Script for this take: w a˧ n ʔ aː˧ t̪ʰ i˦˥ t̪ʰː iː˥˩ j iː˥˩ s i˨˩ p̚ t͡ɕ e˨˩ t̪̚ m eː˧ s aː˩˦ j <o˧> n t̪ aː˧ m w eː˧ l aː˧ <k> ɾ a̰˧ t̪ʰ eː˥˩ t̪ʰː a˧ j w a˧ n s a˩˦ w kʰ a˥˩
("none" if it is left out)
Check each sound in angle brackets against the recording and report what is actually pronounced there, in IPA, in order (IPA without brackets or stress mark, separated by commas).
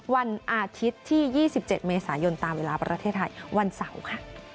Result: o˧, p